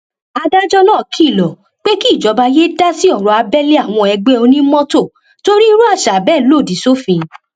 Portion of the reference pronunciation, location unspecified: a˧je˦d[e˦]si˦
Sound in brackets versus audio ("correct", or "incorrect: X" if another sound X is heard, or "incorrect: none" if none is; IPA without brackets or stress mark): incorrect: a˦